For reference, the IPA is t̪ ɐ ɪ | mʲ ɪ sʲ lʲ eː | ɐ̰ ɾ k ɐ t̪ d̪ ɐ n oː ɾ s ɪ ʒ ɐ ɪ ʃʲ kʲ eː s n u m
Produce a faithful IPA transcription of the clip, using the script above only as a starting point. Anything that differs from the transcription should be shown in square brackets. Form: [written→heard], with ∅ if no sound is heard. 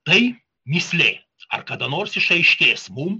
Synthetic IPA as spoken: t̪ ɐ ɪ | mʲ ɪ sʲ lʲ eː | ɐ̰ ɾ k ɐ [t̪→∅] d̪ ɐ n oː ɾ s ɪ [ʒ→ʃ] ɐ ɪ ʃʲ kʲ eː s [n→m] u m